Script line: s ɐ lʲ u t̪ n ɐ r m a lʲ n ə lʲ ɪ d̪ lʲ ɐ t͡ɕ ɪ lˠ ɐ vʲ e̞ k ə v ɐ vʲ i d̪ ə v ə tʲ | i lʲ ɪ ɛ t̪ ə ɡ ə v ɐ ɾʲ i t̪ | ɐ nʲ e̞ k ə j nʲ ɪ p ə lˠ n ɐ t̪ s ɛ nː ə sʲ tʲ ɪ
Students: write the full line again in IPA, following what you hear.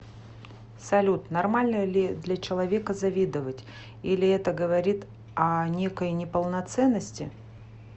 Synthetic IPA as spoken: s ɐ lʲ u t̪ n ɐ r m a lʲ n ə lʲ ɪ d̪ lʲ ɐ t͡ɕ ɪ lˠ ɐ vʲ e̞ k ə z ɐ vʲ i d̪ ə v ə tʲ | i lʲ ɪ ɛ t̪ ə ɡ ə v ɐ ɾʲ i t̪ | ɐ nʲ e̞ k ə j nʲ ɪ p ə lˠ n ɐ t̪ s ɛ nː ə sʲ tʲ ɪ